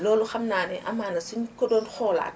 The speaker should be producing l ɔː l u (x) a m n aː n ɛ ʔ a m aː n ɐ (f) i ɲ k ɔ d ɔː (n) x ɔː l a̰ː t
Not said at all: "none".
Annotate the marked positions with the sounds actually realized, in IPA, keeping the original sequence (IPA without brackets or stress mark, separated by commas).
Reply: x, s, n